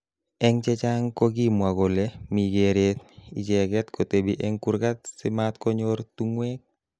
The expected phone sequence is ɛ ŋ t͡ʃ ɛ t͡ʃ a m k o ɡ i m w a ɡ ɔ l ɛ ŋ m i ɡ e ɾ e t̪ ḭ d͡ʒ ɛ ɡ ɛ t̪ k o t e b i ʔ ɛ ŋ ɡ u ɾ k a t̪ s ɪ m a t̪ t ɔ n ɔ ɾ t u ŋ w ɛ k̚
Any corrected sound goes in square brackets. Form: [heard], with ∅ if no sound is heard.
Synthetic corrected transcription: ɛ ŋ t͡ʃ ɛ t͡ʃ a [ŋ] k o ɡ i m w a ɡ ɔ l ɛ [∅] m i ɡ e ɾ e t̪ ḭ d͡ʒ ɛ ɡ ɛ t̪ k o t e b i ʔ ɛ ŋ [k] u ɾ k a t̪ s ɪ m a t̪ [k] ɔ [ɲ] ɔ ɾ t u ŋ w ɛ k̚